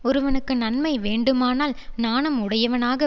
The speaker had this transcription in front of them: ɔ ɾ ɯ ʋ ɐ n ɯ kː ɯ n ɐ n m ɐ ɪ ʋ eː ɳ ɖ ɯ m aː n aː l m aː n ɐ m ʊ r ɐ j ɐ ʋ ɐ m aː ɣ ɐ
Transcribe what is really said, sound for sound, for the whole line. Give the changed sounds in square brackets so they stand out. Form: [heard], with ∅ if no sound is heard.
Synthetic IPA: ɔ ɾ ɯ ʋ ɐ n ɯ kː ɯ n ɐ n m ɐ ɪ ʋ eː ɳ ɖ ɯ m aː n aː l [n] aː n ɐ m ʊ [ɽ] ɐ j ɐ ʋ ɐ [n] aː ɣ ɐ